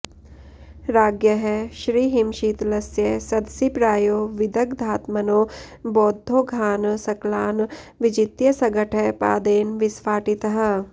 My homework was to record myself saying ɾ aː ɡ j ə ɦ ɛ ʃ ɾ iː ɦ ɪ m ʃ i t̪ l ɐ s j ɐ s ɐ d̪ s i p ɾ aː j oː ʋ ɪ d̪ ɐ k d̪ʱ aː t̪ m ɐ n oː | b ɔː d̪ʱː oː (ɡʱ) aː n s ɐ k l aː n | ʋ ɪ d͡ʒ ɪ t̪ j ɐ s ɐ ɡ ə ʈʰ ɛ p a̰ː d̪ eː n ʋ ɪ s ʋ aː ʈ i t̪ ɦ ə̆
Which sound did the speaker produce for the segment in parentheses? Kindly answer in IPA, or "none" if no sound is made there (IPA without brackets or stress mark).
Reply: ɡʱ